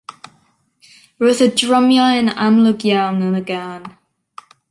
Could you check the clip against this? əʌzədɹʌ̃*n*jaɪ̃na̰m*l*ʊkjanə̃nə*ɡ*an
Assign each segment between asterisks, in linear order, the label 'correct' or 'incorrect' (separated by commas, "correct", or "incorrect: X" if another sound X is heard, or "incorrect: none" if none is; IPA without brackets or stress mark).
incorrect: m, correct, correct